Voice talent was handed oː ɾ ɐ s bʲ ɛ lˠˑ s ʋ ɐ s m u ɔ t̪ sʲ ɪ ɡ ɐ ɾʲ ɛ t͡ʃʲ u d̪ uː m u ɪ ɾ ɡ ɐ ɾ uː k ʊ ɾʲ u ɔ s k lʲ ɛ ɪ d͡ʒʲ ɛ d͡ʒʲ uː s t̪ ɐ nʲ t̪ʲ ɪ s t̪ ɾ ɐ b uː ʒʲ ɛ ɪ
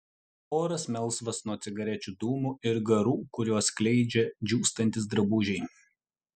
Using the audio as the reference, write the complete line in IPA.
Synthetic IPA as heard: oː ɾ ɐ s mʲ ɛ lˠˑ s ʋ ɐ s n u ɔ t̪ sʲ ɪ ɡ ɐ ɾʲ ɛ t͡ʃʲ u d̪ uː m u ɪ ɾ ɡ ɐ ɾ uː k ʊ ɾʲ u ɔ s k lʲ ɛ ɪ d͡ʒʲ ɛ d͡ʒʲ uː s t̪ ɐ nʲ t̪ʲ ɪ s d̪ ɾ ɐ b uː ʒʲ ɛ ɪ